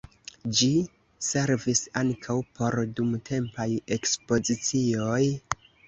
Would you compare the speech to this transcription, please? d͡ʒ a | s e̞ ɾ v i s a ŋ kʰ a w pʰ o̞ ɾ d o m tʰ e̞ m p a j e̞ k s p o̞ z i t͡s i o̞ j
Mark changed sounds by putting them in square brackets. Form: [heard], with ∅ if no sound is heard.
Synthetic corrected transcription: d͡ʒ [i] | s e̞ ɾ v i s a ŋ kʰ a w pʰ o̞ ɾ d [u] m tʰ e̞ m p a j e̞ k s p o̞ z i t͡s i o̞ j